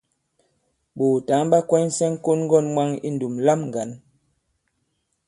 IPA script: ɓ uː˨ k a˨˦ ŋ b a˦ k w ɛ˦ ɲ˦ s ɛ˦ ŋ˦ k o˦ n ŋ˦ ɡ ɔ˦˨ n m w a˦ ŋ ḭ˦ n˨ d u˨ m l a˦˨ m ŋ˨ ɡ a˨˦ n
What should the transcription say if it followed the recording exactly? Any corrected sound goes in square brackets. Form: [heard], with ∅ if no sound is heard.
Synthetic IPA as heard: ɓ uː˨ [t] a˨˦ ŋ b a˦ k w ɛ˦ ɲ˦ s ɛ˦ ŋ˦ k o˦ n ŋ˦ ɡ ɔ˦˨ n m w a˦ ŋ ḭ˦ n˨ d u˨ m l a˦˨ m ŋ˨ ɡ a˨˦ n